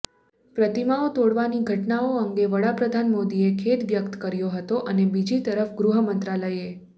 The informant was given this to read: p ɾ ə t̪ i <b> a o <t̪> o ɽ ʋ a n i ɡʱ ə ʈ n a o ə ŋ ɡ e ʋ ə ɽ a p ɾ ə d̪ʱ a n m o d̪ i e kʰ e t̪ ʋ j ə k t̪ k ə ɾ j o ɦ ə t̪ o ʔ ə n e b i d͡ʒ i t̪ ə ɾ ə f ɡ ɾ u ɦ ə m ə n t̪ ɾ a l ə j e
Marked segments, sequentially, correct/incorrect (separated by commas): incorrect, correct